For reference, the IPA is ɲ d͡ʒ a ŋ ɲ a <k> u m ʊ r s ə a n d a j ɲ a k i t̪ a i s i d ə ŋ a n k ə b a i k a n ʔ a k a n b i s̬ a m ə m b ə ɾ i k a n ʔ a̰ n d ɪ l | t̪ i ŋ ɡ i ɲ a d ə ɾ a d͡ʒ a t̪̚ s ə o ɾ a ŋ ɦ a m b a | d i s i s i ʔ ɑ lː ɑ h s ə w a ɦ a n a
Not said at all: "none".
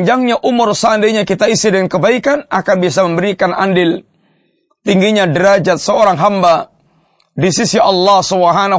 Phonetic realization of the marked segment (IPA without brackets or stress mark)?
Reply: ʔ